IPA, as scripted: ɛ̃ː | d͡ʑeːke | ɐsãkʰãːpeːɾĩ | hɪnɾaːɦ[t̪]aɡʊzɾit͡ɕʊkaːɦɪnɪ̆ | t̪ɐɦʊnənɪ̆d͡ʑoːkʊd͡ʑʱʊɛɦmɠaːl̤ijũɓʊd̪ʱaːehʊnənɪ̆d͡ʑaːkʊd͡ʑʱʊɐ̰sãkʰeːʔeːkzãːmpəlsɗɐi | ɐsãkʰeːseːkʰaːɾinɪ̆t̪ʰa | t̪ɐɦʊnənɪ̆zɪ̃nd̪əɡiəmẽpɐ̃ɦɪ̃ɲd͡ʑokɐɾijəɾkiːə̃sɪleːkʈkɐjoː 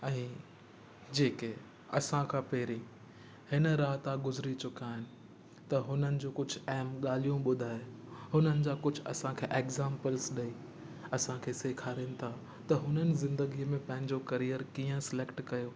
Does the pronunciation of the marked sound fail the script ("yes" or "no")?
no